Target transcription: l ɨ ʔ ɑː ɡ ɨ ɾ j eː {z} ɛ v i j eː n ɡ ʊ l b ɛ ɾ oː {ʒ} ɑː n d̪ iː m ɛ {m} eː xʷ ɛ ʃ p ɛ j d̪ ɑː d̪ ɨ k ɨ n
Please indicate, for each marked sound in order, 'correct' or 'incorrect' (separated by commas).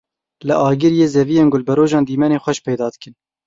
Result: correct, correct, incorrect